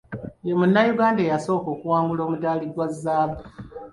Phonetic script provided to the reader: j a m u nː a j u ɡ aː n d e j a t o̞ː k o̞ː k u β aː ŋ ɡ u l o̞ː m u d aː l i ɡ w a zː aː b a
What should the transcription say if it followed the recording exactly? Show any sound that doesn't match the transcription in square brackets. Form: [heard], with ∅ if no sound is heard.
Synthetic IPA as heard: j [e] m u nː a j u ɡ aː n d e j a [s] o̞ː k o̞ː k u [w] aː ŋ ɡ u l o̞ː m u d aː l i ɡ w a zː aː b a